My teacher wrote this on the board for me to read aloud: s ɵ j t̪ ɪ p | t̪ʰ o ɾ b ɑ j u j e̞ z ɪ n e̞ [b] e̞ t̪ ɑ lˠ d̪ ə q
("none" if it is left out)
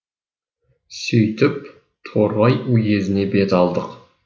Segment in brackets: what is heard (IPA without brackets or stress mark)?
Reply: b